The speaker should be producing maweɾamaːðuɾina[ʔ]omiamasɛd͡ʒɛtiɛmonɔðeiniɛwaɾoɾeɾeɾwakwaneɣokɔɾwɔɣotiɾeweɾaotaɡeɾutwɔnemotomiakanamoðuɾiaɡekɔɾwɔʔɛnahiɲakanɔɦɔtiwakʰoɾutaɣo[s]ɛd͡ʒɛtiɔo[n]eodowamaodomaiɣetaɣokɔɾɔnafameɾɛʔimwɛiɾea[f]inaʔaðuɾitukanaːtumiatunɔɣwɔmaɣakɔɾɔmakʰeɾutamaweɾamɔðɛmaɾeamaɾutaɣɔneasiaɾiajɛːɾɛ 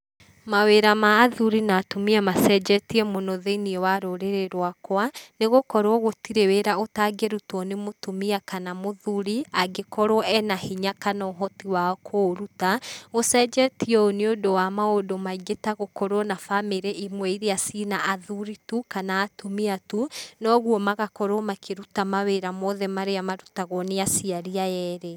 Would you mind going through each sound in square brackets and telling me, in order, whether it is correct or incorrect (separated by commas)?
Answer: incorrect, correct, correct, incorrect